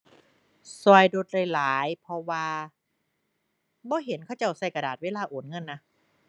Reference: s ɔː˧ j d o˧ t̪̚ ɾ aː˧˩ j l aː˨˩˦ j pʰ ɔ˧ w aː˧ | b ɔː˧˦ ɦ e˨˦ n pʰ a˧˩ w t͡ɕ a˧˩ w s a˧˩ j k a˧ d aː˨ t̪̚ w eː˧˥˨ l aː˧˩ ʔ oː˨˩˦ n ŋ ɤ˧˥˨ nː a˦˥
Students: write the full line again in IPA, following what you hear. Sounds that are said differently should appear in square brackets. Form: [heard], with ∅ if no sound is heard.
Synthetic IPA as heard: s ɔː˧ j d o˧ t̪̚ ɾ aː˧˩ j l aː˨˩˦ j pʰ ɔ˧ w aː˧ | b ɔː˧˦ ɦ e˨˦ n [kʰ] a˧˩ w t͡ɕ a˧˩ w s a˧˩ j k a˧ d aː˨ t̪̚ w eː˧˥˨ l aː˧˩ ʔ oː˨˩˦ n ŋ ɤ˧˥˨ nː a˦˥